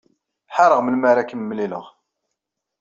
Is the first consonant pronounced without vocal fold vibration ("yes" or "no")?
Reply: yes